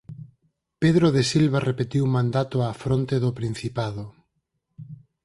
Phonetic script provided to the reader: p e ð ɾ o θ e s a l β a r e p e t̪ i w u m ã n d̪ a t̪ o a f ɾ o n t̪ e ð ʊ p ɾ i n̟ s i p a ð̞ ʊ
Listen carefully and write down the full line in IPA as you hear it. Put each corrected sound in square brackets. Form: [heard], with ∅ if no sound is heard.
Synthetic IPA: p e ð ɾ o [ð] e s [i] l β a r e p e t̪ i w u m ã n d̪ a t̪ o a f ɾ o n t̪ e ð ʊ p ɾ i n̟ [θ] i p a ð̞ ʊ